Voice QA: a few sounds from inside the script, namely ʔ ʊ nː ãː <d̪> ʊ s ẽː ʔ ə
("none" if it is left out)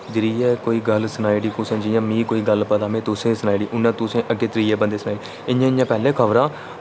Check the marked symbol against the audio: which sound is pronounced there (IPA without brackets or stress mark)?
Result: t̪